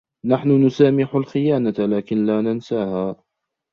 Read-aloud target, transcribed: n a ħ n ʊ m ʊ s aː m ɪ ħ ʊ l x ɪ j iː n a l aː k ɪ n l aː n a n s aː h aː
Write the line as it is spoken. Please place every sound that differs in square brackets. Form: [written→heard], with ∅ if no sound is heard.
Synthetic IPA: n a ħ n ʊ [m→n] ʊ s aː m ɪ ħ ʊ l x ɪ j [iː→aː] n a l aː k ɪ n l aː n a n s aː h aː